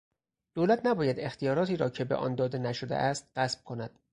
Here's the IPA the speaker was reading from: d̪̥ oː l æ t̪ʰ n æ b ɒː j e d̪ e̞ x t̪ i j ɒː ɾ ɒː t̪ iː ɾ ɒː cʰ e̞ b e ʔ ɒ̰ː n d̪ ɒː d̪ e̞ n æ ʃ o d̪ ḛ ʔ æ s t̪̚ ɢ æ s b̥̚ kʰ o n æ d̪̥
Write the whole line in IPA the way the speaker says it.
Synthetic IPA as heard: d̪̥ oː l æ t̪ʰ n æ b ɒː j æ d̪ e̞ x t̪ i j ɒː ɾ ɒː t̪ iː ɾ ɒː cʰ e̞ b e ʔ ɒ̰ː n d̪ ɒː d̪ e̞ n æ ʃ o d̪ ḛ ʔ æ s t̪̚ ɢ æ s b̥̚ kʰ o n æ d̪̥